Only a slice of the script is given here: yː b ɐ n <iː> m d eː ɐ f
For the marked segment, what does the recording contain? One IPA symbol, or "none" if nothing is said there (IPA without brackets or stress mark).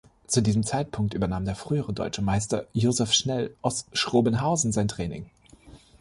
aː